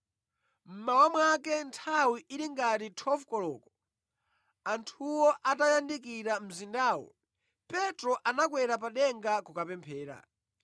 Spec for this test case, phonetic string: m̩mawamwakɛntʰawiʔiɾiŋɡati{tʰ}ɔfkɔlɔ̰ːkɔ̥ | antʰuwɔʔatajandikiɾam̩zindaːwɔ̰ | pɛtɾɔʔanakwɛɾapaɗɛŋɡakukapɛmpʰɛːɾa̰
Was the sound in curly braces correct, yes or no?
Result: yes